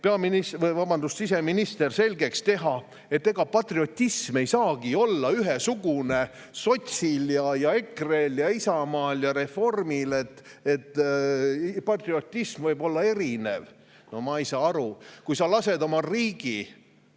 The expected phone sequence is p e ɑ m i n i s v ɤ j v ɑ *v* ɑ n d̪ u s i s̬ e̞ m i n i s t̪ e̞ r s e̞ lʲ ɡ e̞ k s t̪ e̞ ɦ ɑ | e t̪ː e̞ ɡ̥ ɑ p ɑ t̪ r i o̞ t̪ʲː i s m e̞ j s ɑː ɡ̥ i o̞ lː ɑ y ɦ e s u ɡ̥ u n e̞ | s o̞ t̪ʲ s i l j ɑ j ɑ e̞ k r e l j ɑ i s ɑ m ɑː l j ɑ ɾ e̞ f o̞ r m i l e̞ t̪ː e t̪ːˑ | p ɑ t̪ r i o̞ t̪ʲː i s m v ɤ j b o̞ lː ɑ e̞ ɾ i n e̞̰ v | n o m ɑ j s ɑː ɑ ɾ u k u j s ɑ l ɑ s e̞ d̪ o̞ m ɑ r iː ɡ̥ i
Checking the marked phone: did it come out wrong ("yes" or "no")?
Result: yes